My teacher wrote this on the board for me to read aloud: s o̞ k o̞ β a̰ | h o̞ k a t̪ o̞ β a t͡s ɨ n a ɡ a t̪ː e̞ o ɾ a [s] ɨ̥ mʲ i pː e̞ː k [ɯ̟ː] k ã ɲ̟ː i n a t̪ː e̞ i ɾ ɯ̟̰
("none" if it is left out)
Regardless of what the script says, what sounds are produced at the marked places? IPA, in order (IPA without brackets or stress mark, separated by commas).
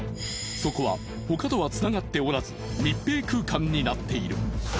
z, ɯ̟ː